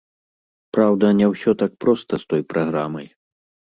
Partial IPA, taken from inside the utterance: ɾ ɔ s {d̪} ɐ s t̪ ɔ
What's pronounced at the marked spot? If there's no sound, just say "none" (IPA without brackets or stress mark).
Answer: t̪